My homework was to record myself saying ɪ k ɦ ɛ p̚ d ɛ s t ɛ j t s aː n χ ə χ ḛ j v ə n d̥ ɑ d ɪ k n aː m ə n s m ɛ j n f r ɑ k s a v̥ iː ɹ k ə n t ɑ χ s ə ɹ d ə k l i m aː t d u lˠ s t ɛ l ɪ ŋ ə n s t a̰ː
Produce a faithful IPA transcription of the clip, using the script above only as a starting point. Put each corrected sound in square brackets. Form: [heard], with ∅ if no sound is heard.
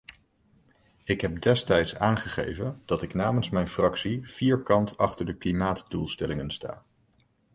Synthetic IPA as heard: ɪ k ɦ ɛ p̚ d ɛ s t ɛ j t s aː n χ ə χ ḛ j v ə n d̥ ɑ [t] ɪ k n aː m ə n s m ɛ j n f r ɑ k s [i] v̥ iː ɹ k [ɑ] n t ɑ χ [t] ə ɹ d ə k l i m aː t d u lˠ s t ɛ l ɪ ŋ ə n s t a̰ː